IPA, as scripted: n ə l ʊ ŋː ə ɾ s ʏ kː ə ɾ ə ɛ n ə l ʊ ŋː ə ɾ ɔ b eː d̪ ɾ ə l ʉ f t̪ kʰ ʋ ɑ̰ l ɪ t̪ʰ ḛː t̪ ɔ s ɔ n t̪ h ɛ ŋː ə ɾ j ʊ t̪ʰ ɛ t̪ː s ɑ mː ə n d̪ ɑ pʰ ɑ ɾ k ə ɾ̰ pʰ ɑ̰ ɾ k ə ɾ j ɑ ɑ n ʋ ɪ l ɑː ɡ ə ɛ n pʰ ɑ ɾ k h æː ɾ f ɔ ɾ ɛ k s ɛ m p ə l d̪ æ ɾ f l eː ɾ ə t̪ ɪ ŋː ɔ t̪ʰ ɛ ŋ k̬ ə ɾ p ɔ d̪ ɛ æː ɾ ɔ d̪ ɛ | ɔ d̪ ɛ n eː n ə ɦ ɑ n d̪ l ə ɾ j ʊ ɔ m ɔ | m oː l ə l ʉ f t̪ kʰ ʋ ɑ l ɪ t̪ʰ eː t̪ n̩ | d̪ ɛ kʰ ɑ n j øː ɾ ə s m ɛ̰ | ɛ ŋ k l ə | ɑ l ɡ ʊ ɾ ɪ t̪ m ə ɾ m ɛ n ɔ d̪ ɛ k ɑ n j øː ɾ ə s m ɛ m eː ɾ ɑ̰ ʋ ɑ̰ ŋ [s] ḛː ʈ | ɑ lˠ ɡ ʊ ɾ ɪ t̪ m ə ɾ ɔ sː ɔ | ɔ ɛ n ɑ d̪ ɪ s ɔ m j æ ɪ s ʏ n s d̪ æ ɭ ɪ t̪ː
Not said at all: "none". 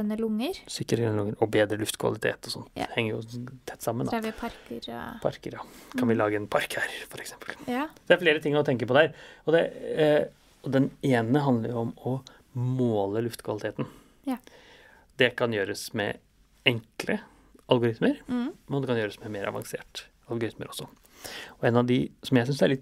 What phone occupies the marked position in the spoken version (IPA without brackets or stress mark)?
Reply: s